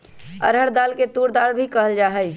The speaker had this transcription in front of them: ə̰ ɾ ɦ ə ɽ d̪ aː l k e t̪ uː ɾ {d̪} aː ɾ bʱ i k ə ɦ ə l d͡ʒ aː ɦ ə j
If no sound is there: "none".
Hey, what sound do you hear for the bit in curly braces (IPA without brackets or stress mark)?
d̪